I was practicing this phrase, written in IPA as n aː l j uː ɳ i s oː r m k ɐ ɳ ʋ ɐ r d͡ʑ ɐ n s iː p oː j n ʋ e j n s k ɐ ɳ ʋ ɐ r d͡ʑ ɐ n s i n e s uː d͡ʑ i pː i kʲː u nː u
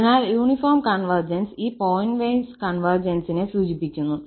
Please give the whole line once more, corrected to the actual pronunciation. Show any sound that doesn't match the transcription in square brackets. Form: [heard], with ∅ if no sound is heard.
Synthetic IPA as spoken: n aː l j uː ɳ i [f] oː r m k ɐ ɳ ʋ ɐ r d͡ʑ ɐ n s iː p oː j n ʋ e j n s k ɐ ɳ ʋ ɐ r d͡ʑ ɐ n s i n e s uː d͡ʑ i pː i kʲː u nː u

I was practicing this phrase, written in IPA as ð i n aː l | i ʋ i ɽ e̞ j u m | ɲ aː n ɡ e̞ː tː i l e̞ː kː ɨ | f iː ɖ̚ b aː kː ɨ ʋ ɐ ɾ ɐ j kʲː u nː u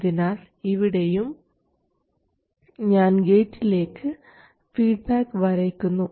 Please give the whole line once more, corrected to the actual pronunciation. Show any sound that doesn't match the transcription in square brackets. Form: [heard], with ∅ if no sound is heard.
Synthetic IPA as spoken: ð i n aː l | i ʋ i ɽ e̞ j u m | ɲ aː n ɡ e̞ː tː i l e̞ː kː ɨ | f iː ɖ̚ b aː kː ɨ ʋ ɐ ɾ ɐ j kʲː u nː u

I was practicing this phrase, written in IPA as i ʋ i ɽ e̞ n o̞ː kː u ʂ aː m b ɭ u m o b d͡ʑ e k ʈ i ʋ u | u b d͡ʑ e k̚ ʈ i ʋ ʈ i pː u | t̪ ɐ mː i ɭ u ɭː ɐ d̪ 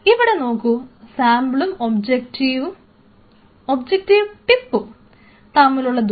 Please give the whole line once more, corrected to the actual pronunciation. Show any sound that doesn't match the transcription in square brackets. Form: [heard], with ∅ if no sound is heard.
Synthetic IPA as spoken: i ʋ i ɽ e̞ n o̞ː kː u [s] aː m b ɭ u m o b d͡ʑ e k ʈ i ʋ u | [o] b d͡ʑ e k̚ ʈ i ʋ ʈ i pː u | t̪ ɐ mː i [l] u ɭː ɐ d̪

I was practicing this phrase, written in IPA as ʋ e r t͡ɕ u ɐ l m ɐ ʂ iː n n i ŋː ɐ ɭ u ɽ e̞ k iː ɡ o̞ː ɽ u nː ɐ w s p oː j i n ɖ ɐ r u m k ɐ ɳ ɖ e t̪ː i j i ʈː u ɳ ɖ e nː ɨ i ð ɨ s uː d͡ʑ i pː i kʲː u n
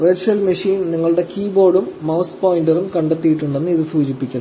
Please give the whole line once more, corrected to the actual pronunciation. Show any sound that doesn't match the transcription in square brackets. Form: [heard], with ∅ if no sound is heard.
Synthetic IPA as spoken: ʋ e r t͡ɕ u ɐ l m ɐ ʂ iː n n i ŋː ɐ ɭ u ɽ e̞ k iː [b] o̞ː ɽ u [mː] ɐ w s p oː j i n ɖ ɐ r u m k ɐ ɳ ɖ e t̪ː i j i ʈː u ɳ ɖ e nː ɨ i ð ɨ s uː d͡ʑ i pː i kʲː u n

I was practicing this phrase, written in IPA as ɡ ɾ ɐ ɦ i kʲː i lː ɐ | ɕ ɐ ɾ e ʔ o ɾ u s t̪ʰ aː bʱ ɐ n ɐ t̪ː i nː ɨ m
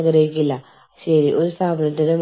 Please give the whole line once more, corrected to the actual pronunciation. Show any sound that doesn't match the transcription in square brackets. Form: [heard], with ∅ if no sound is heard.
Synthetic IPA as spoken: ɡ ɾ ɐ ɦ i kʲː i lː ɐ | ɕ ɐ ɾ [i] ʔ o ɾ u s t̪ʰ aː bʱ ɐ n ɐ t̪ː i [n] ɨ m

